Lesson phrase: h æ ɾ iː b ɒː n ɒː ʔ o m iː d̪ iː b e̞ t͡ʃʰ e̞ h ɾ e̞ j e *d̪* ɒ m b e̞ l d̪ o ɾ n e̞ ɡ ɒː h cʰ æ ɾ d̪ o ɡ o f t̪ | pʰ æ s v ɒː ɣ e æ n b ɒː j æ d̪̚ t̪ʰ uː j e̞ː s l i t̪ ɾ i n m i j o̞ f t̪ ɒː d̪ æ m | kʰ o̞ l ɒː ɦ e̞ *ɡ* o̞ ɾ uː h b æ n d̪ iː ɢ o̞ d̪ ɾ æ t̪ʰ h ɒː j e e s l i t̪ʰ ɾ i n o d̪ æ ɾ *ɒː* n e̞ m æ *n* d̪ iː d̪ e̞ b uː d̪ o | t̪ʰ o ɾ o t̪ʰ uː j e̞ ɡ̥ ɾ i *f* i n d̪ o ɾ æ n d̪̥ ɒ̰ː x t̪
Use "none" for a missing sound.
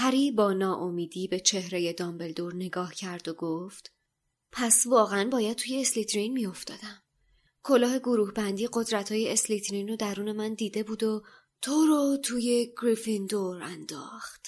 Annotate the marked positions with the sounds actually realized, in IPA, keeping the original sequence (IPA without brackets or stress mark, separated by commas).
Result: d̪, ɡ, uː, n, f